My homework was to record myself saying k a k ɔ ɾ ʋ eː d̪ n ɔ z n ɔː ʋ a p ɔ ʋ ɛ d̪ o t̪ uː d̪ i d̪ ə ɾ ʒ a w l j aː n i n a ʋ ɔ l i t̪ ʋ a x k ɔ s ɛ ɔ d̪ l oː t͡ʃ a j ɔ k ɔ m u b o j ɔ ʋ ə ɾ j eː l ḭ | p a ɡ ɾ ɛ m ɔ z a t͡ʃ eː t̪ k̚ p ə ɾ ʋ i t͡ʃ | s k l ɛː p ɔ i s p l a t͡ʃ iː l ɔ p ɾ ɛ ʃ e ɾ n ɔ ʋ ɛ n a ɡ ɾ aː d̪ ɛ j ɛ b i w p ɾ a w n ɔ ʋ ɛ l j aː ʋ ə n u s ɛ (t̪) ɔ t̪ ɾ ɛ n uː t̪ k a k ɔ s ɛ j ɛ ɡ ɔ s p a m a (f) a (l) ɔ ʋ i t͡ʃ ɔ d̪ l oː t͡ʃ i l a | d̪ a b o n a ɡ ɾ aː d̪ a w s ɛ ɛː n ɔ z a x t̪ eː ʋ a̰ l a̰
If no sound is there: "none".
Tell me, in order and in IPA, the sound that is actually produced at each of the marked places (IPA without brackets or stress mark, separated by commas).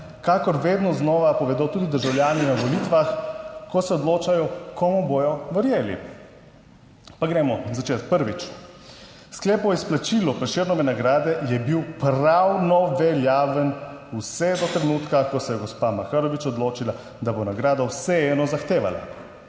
d̪, x, ɾ